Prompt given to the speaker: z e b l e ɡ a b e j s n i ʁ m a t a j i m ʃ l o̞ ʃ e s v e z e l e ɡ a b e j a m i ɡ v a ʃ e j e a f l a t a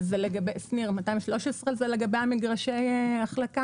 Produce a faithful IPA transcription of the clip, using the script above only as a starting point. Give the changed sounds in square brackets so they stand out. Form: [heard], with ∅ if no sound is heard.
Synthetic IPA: z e [∅] l e ɡ a b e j s n i ʁ m a t a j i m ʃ l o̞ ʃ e s [ʁ] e z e l e ɡ a b e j a m i ɡ [ʁ] a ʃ e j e a [χ] l a [k] a